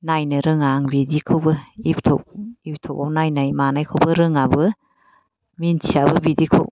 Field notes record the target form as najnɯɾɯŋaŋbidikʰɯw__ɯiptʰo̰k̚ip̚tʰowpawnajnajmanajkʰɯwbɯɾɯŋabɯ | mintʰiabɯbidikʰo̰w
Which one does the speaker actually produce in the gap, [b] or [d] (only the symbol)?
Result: b